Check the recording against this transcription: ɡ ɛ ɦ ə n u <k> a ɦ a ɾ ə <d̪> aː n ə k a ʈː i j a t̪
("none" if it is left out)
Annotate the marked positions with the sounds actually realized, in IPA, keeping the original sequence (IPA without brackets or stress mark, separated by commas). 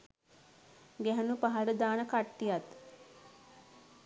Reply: p, d̪